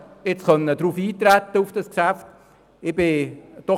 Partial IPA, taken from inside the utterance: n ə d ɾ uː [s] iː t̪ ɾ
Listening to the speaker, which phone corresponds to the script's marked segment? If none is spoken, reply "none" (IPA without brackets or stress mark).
f